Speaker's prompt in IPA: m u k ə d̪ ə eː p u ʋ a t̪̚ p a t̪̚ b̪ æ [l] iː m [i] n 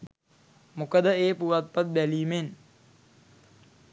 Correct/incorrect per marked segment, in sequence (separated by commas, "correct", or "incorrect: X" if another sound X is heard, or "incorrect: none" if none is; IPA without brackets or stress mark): correct, incorrect: e